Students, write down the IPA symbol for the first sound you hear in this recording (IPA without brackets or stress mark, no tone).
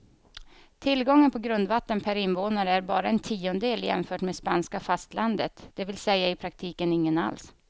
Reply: t̪ʰ